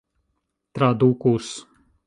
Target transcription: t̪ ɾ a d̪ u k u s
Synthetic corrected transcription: t̪ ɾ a d̪ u k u s

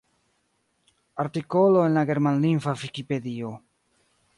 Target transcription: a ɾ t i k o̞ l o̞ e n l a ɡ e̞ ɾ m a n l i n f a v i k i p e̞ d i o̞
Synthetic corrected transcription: a ɾ t i k o̞ l o̞ e n l a ɡ e̞ ɾ m a n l i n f a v i k i p e̞ d i o̞

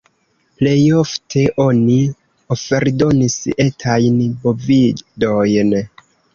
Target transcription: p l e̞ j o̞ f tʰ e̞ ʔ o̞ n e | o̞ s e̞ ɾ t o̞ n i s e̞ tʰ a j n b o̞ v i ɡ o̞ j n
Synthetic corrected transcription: p l e̞ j o̞ f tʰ e̞ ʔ o̞ n i | o̞ f e̞ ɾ d o̞ n i s e̞ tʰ a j n b o̞ v i d o̞ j n

